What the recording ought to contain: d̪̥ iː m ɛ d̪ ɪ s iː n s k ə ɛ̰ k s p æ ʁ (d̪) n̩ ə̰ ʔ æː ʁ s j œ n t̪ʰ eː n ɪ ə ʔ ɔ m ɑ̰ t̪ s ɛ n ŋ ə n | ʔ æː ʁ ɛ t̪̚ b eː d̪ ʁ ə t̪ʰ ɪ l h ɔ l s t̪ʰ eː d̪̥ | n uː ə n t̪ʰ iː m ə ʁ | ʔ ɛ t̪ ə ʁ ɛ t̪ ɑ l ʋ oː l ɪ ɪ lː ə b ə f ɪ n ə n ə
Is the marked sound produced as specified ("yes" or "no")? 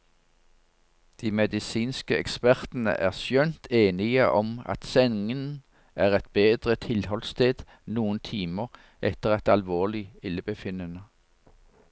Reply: no